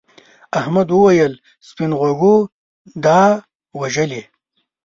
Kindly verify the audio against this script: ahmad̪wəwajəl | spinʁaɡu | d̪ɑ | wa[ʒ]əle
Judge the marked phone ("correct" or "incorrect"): correct